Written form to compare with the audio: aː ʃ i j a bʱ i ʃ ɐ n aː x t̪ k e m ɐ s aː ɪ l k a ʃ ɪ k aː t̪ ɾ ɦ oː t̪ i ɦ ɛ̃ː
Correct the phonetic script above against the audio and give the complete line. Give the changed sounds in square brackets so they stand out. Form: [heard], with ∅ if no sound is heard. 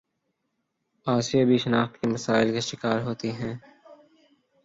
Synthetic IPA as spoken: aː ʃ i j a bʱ i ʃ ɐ n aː x t̪ k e m ɐ s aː ɪ l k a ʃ ɪ k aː [∅] ɾ ɦ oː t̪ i ɦ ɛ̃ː